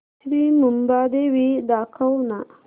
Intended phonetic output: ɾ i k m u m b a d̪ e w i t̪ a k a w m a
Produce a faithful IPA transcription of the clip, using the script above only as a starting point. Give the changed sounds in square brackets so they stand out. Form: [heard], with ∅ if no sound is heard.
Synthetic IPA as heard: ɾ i [∅] m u m b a d̪ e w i [d̪] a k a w [n] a